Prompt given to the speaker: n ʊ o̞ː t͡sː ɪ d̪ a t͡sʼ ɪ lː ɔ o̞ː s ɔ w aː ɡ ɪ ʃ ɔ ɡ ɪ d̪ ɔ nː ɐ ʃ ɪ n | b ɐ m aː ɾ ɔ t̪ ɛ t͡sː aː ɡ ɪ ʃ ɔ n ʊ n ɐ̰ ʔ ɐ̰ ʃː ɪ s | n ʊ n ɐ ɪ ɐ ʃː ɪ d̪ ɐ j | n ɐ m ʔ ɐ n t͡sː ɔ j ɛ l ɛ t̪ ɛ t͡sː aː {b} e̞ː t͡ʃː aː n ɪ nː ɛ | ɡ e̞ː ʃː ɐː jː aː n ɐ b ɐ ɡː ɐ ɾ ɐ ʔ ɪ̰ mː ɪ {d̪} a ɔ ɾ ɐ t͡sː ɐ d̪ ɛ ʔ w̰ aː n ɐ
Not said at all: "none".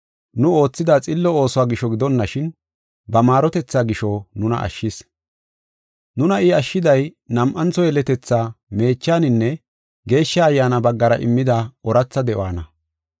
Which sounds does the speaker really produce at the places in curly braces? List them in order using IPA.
m, d̪

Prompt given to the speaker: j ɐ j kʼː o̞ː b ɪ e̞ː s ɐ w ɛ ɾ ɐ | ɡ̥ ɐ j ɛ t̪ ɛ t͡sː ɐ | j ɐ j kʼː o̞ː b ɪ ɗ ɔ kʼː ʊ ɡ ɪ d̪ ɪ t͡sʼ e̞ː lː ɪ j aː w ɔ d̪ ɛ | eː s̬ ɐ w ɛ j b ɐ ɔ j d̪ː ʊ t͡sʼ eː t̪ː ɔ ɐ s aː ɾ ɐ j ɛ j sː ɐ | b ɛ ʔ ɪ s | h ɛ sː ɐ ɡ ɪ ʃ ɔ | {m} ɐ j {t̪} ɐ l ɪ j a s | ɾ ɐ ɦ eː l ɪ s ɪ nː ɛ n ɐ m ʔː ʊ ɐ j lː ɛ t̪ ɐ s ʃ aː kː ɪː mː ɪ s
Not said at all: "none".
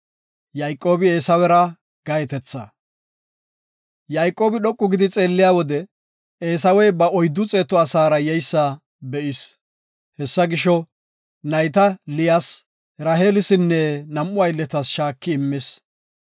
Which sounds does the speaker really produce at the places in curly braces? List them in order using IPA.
n, t̪

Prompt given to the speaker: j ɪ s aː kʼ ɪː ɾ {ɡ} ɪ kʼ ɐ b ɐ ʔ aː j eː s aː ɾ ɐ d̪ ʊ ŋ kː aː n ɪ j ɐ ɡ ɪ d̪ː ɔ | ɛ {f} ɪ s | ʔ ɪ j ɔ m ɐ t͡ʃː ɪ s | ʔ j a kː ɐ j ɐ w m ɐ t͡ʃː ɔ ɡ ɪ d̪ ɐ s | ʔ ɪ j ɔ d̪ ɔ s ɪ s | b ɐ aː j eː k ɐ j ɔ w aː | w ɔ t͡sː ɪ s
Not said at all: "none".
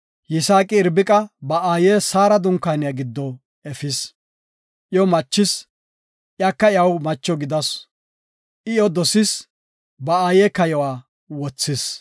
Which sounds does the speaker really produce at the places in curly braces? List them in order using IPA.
b, f

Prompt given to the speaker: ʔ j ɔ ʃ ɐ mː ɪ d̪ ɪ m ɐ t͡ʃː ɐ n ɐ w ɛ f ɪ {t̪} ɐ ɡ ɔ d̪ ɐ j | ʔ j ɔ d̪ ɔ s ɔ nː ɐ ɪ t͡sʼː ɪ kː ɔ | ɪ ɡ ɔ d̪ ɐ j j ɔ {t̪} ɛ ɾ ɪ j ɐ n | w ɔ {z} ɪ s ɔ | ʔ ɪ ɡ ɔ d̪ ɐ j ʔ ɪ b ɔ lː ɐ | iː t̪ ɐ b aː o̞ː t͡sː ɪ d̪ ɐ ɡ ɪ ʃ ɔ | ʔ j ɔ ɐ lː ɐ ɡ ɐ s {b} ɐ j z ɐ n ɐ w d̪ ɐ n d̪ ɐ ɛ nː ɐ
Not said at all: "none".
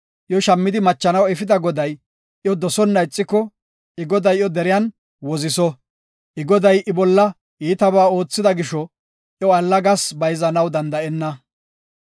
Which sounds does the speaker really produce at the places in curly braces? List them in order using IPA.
d̪, d̪, z, b

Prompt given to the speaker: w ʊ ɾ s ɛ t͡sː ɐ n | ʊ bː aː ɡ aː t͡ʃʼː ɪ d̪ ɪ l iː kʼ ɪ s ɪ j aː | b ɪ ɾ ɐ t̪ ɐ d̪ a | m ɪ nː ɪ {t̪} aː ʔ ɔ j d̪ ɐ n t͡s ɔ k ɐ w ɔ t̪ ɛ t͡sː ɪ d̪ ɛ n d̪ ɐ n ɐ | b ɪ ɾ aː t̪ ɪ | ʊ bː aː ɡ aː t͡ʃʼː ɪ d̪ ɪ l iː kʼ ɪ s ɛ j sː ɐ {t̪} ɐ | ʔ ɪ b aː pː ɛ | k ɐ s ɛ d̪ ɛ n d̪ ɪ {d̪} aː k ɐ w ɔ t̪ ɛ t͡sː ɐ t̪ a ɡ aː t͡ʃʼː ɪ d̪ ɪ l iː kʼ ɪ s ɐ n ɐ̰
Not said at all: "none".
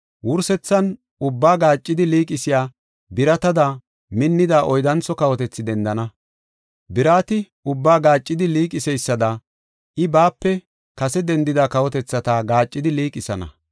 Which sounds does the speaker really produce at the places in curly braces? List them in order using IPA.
d̪, d̪, d̪

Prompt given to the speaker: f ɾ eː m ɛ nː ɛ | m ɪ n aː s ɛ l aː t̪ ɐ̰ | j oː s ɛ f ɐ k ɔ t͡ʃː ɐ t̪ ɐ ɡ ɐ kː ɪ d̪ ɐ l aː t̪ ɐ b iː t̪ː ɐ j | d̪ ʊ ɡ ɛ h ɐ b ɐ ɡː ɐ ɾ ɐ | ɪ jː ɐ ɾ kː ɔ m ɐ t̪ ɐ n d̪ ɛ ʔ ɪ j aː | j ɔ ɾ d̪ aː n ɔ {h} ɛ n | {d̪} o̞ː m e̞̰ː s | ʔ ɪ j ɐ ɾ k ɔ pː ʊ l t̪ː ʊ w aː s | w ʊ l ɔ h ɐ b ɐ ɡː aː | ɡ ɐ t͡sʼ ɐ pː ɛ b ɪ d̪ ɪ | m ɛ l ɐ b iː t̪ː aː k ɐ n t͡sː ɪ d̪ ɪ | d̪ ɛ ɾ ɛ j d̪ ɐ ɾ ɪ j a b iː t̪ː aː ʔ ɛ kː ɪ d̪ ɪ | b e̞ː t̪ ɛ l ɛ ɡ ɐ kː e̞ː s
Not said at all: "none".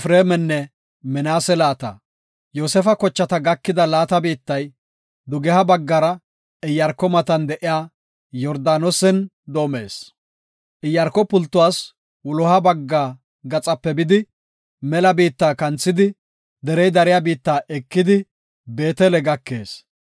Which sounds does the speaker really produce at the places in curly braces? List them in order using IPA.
s, d̪

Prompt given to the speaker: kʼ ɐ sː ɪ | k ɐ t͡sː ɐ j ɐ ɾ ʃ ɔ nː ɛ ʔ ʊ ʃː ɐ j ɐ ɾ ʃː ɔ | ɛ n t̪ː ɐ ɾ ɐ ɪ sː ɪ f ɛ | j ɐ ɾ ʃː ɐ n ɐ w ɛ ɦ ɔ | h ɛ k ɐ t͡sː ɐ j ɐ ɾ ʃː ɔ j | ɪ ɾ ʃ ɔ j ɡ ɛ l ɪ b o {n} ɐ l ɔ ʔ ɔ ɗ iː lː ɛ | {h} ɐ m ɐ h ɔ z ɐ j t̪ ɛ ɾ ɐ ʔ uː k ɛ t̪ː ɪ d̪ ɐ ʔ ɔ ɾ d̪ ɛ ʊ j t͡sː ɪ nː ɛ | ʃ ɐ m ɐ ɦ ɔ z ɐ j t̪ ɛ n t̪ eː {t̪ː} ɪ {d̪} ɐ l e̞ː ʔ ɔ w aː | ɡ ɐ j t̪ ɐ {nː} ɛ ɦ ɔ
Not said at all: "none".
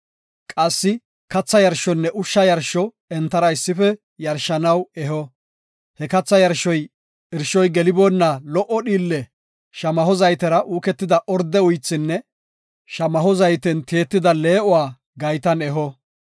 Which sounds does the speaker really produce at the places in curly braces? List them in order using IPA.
nː, ʃ, t̪ː, d̪, n

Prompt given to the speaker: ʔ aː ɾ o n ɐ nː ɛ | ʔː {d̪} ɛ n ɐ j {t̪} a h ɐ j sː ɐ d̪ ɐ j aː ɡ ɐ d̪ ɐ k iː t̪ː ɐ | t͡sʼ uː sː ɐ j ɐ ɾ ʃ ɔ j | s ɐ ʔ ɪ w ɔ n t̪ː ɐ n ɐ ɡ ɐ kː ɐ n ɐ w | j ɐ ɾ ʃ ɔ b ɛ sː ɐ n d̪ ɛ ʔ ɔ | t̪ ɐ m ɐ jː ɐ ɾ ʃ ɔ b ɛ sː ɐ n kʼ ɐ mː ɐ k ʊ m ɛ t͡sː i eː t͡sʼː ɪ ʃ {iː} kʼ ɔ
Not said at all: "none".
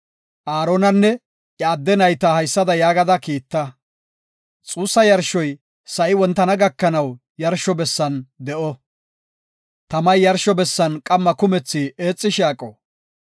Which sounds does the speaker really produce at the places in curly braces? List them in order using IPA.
d̪ː, t̪, aː

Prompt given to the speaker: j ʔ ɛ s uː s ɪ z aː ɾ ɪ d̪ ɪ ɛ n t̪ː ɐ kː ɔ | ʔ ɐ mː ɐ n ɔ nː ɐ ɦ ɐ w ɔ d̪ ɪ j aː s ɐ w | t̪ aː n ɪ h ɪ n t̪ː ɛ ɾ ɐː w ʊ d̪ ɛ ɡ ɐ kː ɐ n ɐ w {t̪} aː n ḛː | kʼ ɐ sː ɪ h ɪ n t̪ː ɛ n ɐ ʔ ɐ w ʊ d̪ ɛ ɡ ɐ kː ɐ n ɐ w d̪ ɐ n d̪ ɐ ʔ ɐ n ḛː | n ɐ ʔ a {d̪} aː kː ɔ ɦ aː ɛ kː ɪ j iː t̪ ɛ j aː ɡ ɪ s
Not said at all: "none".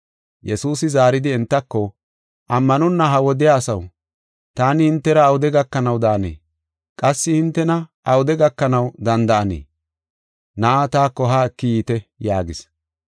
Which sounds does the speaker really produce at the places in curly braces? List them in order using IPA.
d̪, t̪

